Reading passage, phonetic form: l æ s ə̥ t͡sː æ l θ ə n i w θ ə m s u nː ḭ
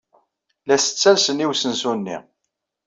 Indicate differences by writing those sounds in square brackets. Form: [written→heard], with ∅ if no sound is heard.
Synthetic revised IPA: l æ s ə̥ t͡sː æ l [θ→s] ə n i w [θ→s] ə [m→n] s u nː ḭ